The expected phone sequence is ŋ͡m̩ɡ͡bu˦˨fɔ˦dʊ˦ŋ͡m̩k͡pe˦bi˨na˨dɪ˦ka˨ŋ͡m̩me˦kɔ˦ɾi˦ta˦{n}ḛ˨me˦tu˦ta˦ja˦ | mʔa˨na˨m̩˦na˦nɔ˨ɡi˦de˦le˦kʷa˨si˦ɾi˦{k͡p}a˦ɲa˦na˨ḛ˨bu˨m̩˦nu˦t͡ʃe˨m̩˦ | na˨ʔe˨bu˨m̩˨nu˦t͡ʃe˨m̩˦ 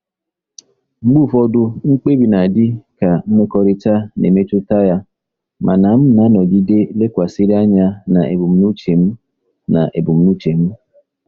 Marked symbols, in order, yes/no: yes, no

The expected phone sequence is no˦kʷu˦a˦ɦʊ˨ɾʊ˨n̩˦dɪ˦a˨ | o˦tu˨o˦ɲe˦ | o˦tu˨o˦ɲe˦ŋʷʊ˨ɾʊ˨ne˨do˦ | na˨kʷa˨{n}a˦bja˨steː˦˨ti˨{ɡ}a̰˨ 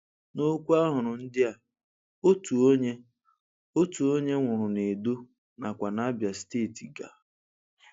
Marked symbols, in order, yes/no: yes, yes

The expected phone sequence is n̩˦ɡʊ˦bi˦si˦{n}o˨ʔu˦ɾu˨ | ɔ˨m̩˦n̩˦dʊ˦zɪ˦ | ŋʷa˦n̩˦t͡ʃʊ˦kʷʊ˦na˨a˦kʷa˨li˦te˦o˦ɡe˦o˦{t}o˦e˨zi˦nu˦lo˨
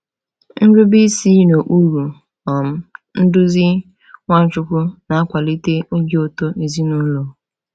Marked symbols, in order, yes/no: yes, yes

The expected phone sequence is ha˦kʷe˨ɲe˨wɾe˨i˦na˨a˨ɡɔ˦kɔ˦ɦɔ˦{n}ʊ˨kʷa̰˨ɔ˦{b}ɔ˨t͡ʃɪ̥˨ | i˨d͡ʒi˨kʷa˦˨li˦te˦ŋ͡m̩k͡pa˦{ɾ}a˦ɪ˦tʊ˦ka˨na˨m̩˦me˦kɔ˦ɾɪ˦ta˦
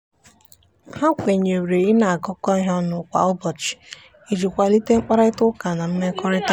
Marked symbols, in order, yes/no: yes, yes, yes

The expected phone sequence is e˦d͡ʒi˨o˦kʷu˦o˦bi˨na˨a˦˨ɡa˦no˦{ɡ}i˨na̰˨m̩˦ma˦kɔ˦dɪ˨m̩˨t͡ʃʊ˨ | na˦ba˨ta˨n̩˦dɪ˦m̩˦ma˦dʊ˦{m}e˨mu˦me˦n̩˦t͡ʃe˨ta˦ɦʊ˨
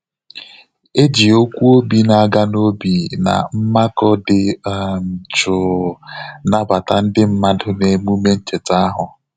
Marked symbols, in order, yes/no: no, no

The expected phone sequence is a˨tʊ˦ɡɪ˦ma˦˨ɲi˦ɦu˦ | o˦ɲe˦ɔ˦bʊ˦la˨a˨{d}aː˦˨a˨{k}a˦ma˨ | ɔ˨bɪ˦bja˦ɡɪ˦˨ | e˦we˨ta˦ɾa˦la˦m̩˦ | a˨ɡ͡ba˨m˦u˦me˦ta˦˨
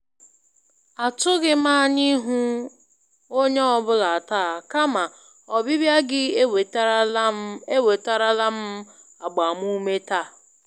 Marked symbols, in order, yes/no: no, yes

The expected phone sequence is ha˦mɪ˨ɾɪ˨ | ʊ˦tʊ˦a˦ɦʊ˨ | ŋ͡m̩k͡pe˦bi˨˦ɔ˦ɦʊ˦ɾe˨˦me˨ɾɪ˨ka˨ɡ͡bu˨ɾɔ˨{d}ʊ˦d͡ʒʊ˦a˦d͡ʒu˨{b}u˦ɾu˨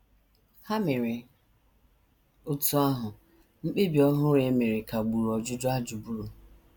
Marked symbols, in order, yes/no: no, yes

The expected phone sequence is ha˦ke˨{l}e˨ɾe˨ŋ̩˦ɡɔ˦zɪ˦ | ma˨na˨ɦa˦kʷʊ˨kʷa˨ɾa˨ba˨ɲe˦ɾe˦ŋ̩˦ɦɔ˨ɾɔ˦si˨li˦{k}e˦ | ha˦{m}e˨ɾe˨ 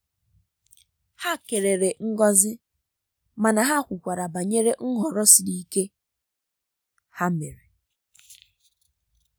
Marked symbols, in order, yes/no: no, yes, yes

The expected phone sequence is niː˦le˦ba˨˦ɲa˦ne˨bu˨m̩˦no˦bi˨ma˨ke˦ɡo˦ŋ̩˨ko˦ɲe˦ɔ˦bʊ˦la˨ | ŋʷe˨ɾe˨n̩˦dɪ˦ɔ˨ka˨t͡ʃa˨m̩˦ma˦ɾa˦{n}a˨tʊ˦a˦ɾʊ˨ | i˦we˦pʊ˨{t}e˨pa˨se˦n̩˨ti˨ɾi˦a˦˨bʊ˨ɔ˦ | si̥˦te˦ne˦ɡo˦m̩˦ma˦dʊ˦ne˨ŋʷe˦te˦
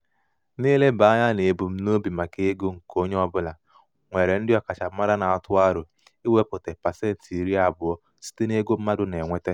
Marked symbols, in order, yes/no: yes, yes

